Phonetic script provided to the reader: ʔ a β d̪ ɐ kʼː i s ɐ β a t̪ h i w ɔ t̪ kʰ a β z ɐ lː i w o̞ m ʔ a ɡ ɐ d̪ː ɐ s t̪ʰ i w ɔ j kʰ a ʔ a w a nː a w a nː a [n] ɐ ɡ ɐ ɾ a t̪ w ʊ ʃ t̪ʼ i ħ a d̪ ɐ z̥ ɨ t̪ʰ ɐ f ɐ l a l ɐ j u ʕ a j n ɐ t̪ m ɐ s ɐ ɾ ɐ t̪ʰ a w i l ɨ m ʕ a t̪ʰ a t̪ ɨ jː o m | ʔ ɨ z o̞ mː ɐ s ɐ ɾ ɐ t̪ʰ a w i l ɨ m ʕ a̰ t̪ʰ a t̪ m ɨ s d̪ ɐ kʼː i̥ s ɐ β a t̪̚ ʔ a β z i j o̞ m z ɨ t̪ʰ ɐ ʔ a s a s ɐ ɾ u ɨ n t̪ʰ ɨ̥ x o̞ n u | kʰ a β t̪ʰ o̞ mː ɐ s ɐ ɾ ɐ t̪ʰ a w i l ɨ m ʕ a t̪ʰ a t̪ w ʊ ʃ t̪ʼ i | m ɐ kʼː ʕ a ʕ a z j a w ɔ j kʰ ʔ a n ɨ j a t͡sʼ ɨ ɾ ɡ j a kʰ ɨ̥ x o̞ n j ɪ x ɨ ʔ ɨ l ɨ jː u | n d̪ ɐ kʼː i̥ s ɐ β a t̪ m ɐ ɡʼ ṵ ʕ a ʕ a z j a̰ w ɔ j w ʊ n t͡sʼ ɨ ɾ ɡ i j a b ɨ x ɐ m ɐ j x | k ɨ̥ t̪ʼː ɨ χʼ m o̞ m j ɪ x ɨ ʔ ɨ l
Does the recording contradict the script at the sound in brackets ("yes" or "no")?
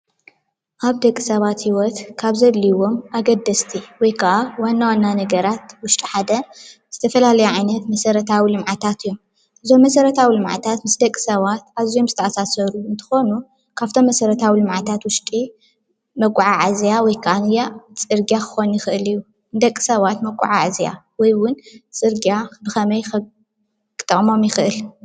no